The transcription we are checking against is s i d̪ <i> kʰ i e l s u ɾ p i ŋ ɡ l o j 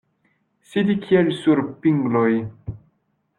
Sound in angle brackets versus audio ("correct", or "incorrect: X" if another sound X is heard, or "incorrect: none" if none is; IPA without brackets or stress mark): correct